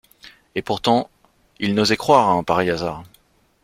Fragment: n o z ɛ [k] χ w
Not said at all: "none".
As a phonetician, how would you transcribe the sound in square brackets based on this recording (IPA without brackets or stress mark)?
k